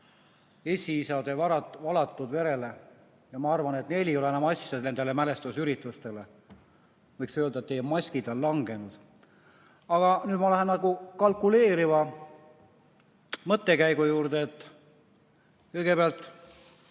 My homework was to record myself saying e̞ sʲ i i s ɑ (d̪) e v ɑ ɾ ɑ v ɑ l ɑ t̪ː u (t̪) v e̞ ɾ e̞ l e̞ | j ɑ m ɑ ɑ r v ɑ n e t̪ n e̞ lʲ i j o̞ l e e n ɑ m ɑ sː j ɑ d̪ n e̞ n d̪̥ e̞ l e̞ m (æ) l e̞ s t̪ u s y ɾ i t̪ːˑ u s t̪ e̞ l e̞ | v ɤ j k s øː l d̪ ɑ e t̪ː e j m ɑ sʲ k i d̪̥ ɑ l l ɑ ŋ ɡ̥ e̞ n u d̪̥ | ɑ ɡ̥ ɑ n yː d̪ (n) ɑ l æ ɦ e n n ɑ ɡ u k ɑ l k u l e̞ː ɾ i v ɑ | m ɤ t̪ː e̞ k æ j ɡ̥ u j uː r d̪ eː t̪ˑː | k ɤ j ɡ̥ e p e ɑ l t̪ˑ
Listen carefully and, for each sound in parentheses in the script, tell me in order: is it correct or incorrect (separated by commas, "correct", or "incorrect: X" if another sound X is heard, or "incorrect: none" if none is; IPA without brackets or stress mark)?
correct, incorrect: d̪, correct, incorrect: m